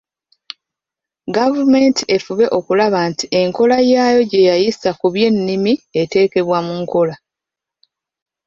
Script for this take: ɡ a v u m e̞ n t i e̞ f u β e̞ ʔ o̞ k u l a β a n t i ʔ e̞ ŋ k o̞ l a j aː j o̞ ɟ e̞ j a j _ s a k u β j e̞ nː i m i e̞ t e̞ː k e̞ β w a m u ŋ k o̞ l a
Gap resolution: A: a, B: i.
B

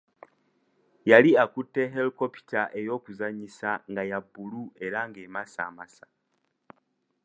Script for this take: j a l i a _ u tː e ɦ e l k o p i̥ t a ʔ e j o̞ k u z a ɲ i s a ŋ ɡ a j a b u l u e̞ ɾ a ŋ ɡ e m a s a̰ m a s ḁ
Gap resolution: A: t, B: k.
B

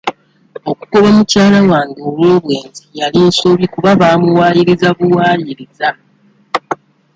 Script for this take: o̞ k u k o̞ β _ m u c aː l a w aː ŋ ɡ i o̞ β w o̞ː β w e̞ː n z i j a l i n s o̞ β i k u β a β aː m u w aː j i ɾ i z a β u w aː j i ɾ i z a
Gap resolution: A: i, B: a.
B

